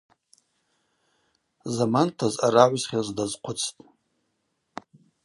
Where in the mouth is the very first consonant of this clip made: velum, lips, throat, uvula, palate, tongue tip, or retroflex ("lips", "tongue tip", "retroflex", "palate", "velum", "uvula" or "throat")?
tongue tip